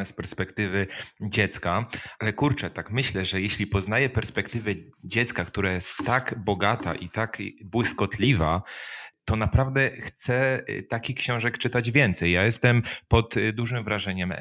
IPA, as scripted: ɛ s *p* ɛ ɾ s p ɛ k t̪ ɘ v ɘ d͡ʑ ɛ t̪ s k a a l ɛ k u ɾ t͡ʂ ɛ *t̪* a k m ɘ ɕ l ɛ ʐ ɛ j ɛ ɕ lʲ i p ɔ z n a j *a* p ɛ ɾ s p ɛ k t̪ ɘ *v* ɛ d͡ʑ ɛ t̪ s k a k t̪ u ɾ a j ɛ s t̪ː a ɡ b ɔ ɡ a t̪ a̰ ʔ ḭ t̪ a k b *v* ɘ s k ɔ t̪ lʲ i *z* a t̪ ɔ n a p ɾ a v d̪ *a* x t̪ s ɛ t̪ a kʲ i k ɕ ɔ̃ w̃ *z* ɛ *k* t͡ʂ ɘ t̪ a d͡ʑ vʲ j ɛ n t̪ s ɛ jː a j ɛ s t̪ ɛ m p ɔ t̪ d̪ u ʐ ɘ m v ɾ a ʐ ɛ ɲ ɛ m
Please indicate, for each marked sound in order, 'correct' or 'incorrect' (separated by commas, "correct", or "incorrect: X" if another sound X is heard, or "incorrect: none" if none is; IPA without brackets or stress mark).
correct, correct, incorrect: ɛ, correct, incorrect: w, incorrect: v, incorrect: ɛ, incorrect: ʐ, correct